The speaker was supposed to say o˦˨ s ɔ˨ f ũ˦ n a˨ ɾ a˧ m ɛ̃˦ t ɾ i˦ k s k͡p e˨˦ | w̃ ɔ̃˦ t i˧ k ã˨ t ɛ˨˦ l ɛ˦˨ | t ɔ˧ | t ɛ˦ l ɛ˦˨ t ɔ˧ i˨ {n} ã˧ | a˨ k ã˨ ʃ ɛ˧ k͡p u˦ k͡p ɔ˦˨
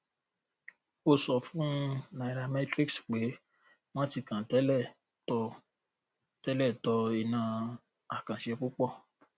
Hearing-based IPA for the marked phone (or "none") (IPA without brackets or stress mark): n